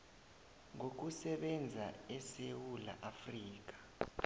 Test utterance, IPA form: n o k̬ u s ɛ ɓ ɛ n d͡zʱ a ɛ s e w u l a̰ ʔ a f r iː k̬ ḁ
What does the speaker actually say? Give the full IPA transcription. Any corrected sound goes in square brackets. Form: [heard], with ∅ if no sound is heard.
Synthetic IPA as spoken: [ŋ] o k̬ u s ɛ ɓ ɛ n d͡zʱ a ɛ s e w u l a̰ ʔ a f r iː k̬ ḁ